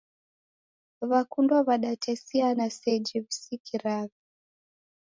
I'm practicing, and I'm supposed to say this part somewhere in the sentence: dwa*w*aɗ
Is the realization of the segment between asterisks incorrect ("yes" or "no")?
yes